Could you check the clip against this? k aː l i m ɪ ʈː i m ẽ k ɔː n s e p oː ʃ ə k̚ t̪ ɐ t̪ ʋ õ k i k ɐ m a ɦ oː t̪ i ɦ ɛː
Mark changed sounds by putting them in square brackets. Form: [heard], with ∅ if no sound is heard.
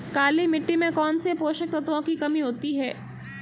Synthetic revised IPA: k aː l i m ɪ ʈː i m ẽ k ɔː n s e p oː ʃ ə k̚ t̪ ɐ t̪ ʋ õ k i k ɐ m [i] ɦ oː t̪ i ɦ ɛː